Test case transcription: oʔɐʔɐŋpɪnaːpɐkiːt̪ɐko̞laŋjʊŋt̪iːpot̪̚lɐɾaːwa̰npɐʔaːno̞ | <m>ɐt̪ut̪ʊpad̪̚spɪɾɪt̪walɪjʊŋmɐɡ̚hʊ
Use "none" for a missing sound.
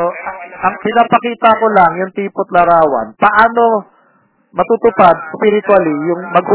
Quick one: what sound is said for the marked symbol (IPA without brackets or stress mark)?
m